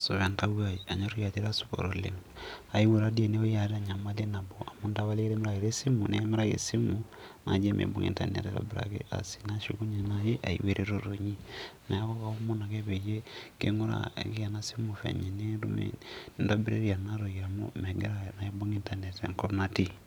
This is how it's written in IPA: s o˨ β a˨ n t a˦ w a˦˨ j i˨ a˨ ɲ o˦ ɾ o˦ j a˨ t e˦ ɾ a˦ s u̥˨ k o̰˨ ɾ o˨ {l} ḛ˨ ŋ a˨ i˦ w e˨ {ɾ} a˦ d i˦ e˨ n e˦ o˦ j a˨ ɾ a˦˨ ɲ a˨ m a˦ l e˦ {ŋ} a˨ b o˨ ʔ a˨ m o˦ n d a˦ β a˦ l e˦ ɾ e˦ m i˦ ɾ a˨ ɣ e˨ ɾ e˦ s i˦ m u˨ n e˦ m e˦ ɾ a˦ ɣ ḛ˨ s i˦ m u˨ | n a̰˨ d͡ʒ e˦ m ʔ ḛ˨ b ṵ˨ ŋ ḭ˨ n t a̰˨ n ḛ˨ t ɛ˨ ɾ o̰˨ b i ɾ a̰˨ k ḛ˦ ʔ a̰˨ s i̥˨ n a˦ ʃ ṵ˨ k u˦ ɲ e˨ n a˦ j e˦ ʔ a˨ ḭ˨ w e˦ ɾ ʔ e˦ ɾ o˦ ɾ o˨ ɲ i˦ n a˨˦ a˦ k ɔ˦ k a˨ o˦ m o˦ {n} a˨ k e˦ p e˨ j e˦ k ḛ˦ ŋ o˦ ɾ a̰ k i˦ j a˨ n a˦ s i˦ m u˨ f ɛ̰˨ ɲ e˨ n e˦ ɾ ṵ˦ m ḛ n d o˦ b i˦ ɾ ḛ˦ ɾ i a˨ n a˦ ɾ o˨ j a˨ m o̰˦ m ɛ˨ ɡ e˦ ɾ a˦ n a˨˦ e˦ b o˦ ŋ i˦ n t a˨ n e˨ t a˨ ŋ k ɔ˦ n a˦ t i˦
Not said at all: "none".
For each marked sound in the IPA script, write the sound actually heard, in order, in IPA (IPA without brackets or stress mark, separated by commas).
l, ɾ, n, n